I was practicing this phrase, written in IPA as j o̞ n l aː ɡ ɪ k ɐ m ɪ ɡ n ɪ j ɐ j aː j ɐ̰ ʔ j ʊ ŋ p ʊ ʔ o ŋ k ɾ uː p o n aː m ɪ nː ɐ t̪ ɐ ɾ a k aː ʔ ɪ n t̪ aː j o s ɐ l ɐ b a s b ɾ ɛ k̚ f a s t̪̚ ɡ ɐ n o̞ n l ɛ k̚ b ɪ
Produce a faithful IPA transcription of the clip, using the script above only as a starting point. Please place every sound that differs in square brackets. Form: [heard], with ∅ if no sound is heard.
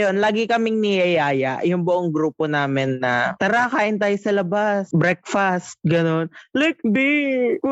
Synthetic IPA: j o̞ n l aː ɡ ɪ k ɐ m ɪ [ŋ] n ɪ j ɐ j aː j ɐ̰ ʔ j ʊ ŋ [b] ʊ ʔ o ŋ [ɡ] ɾ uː p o n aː m ɪ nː ɐ t̪ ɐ ɾ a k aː ʔ ɪ n t̪ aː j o s ɐ l ɐ b a s b ɾ ɛ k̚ f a s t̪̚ ɡ ɐ n o̞ n l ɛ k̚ b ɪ